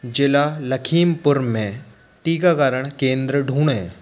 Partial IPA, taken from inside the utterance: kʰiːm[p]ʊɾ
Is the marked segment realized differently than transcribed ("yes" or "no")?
no